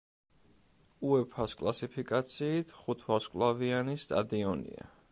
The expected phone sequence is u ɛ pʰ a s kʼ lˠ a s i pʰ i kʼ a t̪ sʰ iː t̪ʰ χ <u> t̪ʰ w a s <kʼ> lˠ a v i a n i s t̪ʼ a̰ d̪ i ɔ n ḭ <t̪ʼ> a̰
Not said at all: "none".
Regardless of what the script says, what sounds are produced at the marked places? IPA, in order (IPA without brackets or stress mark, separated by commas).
u, kʼ, none